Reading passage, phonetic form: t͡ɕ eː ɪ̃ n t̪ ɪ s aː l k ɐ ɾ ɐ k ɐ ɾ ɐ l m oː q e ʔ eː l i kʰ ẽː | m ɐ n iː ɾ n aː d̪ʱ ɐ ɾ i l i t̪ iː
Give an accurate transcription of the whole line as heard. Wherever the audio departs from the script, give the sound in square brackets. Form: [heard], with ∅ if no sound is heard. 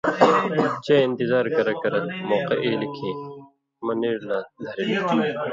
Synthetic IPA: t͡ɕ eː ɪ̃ n t̪ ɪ [z] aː [ɾ] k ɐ ɾ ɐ k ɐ ɾ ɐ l m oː q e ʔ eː l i kʰ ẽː | m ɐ n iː ɾ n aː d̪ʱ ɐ ɾ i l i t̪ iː